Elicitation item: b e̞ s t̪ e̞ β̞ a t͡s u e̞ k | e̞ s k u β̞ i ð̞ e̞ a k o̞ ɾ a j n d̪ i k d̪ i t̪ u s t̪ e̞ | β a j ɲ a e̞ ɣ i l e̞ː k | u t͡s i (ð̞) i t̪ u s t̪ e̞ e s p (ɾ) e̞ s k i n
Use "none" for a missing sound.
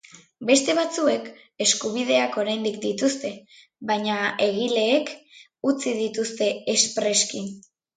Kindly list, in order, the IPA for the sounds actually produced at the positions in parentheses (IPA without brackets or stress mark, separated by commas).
ð̞, ɾ